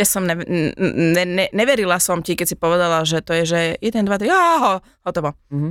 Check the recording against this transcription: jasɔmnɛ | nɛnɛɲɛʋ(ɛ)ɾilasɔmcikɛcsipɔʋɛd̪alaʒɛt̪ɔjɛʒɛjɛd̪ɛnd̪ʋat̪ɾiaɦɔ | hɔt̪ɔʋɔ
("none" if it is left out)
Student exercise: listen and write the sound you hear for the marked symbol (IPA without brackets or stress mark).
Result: ɛ